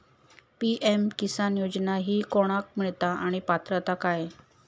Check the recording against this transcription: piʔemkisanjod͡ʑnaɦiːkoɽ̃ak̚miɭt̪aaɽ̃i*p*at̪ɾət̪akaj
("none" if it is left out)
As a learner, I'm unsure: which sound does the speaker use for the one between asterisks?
p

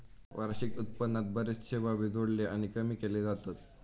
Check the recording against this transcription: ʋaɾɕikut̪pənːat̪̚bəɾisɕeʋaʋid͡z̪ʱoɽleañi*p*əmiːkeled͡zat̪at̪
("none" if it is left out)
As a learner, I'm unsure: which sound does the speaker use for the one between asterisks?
k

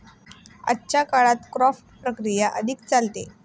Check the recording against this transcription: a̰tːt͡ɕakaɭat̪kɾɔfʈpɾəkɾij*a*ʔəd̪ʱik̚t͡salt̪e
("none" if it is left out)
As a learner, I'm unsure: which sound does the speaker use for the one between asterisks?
a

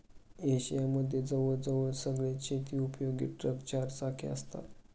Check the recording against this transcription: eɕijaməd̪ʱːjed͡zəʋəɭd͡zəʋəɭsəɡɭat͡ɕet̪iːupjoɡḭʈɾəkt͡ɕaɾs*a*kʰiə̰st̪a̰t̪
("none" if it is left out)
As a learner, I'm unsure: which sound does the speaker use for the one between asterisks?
a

